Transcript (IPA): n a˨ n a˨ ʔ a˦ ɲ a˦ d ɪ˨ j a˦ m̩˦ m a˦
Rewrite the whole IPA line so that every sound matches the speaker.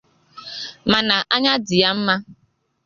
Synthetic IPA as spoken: m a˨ n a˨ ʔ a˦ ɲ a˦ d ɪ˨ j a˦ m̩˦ m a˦